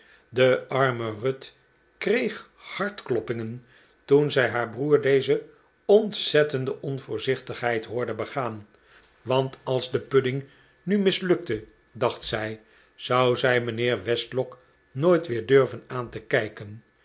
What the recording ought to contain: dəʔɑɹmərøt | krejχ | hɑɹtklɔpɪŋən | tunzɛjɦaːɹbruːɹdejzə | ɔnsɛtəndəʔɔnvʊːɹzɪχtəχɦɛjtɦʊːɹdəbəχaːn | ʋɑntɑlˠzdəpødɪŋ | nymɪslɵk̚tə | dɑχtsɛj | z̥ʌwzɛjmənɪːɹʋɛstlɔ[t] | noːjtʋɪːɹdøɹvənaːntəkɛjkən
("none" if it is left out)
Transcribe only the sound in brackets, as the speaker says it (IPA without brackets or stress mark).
k